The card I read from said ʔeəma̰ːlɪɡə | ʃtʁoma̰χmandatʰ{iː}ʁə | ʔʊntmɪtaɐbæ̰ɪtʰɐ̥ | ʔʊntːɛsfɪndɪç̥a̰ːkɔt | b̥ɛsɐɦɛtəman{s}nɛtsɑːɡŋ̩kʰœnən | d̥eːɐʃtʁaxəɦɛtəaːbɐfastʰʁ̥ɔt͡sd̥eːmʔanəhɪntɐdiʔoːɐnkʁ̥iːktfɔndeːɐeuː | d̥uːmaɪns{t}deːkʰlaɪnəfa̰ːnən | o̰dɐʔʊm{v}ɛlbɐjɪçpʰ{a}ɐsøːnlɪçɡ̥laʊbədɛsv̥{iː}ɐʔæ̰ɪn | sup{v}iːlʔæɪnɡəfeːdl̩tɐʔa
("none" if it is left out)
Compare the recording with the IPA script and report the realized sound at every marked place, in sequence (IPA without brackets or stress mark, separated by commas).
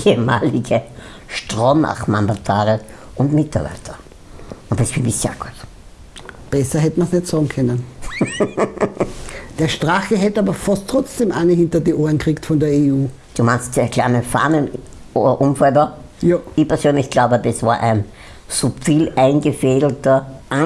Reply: aː, s, t, f, ɛ, aː, f